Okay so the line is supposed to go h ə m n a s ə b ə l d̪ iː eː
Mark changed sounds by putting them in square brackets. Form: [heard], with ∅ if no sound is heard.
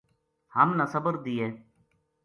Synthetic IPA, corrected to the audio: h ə m n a s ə b ə [ɾ] d̪ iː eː